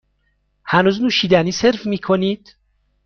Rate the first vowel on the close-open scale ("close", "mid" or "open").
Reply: open